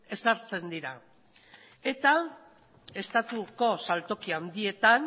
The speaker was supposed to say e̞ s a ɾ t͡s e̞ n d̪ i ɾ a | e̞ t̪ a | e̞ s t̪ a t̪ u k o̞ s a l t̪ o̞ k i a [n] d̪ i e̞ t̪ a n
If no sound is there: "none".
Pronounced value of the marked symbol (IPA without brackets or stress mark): n